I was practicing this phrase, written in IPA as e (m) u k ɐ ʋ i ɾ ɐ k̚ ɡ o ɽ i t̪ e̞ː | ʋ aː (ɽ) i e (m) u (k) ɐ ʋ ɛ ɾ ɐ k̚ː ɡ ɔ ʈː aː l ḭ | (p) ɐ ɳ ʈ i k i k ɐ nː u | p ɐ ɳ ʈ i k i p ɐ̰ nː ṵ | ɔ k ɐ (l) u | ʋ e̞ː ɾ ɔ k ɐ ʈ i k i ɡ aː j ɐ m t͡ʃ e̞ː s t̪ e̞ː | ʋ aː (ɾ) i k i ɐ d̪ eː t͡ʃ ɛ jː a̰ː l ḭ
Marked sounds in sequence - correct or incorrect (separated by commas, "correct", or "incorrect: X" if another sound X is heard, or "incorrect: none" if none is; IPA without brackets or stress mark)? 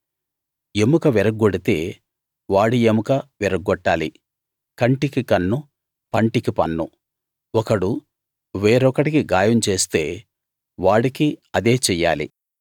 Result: correct, correct, correct, correct, incorrect: k, incorrect: ɽ, incorrect: ɽ